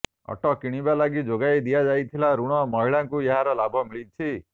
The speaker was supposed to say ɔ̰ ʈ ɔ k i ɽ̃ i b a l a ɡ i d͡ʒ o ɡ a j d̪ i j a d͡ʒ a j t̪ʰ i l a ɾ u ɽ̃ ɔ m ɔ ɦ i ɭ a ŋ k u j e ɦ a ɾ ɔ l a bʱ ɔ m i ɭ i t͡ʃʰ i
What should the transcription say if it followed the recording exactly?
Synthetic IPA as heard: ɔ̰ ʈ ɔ k i ɽ̃ i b a l a ɡ i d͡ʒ o ɡ a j d̪ i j a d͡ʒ a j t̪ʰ i l a ɾ u ɽ̃ ɔ m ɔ ɦ i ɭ a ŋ k u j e ɦ a ɾ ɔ l a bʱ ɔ m i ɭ i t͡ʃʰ i

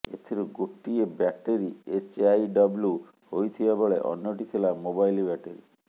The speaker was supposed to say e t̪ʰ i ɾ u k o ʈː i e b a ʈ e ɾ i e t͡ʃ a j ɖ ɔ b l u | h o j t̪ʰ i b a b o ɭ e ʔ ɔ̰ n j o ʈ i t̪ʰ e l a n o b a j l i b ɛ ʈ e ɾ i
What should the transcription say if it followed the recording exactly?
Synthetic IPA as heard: e t̪ʰ i ɾ u ɡ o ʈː i e b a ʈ e ɾ i e t͡ʃ a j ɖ ɔ b l u | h o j t̪ʰ i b a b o ɭ e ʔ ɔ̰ n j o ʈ i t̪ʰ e l a m o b a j l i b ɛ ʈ e ɾ i

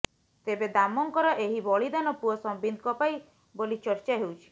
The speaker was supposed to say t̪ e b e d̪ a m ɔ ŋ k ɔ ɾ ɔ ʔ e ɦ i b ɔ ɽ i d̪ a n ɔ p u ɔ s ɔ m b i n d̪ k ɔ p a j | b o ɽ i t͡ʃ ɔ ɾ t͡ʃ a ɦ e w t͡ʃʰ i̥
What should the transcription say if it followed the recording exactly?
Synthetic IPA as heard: t̪ e b e d̪ a m ɔ ŋ k ɔ ɾ ɔ ʔ e ɦ i b ɔ ɭ i d̪ a n ɔ p u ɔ s ɔ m b i n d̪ k ɔ p a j | b o l i t͡ʃ ɔ ɾ t͡ʃ a ɦ e w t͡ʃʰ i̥

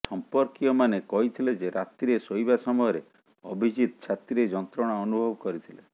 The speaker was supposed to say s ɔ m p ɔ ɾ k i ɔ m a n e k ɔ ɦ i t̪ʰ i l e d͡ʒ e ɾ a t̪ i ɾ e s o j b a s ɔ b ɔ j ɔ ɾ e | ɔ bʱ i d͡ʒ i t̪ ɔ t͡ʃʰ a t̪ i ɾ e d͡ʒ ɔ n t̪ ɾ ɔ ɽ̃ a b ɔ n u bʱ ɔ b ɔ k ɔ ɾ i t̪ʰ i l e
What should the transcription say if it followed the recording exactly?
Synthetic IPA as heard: s ɔ m p ɔ ɾ k i ɔ m a n e k ɔ ɦ i t̪ʰ i l e d͡ʒ e ɾ a t̪ i ɾ e s o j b a s ɔ m ɔ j ɔ ɾ e | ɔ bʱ i d͡ʒ i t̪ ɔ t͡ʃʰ a t̪ i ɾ e d͡ʒ ɔ n t̪ ɾ ɔ ɽ̃ a ɔ n u bʱ ɔ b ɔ k ɔ ɾ i t̪ʰ i l e

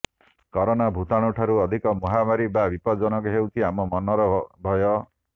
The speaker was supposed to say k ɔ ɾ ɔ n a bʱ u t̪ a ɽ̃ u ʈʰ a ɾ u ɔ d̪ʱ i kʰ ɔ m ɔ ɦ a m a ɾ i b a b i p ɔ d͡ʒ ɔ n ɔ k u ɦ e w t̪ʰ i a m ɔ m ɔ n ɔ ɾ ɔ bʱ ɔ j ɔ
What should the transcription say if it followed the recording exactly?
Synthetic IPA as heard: k ɔ ɾ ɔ n a bʱ u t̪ a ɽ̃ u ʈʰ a ɾ u ɔ d̪ʱ i k ɔ m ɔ ɦ a m a ɾ i b a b i p ɔ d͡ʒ ɔ n ɔ k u ɦ e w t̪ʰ i a m ɔ m ɔ n ɔ ɾ ɔ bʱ ɔ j ɔ

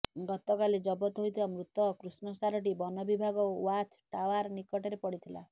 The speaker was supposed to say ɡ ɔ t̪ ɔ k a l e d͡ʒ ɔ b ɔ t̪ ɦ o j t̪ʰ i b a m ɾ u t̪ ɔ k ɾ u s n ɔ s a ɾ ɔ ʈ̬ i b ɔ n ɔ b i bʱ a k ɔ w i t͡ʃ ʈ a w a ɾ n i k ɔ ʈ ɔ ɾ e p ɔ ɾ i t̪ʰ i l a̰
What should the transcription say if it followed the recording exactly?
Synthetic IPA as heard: ɡ ɔ t̪ ɔ k a l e d͡ʒ ɔ b ɔ t̪ ɦ o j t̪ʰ i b a m ɾ u t̪ ɔ k ɾ u s n ɔ s a ɾ ɔ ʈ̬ i b ɔ n ɔ b i bʱ a ɡ ɔ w a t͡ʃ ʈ a w a ɾ n i k ɔ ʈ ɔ ɾ e p ɔ ɽ i t̪ʰ i l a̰

